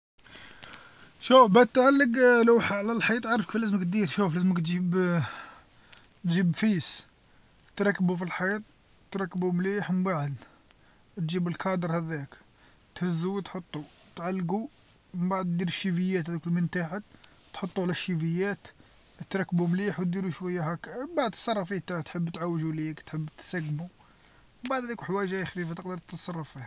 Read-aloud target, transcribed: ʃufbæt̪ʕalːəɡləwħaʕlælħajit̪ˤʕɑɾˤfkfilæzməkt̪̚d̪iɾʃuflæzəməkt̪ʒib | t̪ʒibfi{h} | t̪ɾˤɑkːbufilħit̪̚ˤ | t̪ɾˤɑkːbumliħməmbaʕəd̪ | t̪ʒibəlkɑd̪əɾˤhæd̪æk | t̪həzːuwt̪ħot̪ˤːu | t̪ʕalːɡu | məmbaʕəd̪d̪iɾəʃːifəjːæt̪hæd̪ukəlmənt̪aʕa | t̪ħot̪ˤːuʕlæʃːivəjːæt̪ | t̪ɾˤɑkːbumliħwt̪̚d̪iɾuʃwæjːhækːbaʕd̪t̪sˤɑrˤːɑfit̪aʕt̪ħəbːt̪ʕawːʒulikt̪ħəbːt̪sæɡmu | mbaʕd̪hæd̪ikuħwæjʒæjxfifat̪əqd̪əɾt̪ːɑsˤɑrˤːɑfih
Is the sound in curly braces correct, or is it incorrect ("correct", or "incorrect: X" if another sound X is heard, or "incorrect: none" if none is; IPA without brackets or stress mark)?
incorrect: s